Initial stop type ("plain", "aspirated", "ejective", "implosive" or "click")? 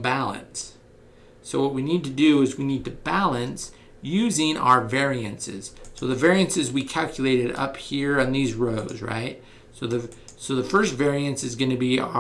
plain